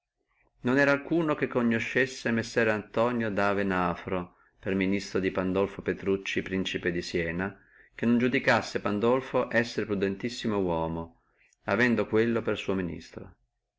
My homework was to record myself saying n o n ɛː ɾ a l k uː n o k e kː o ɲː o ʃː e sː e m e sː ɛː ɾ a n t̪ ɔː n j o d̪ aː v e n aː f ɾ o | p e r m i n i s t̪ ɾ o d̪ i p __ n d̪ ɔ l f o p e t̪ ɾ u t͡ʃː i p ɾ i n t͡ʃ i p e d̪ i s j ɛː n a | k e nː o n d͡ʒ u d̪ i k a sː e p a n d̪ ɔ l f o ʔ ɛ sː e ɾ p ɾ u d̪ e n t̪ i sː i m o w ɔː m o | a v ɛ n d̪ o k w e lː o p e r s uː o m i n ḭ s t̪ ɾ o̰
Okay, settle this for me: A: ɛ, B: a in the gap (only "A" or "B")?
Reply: B